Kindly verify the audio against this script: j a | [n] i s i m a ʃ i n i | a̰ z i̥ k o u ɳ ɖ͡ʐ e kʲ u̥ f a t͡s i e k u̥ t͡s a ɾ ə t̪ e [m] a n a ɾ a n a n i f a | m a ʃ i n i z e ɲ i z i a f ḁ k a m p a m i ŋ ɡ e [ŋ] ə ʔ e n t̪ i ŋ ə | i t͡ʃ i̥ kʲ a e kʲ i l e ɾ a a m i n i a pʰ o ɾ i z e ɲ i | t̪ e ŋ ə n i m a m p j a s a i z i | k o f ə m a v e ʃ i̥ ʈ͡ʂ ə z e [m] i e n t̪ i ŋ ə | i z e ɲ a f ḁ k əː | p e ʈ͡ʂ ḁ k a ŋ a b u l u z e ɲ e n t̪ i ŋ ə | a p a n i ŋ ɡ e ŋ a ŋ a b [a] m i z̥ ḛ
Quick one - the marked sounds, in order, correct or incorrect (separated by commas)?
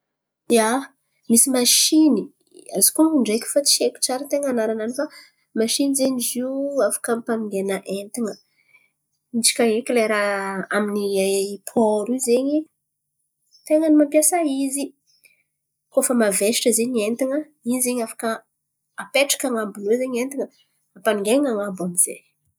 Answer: incorrect, incorrect, incorrect, incorrect, correct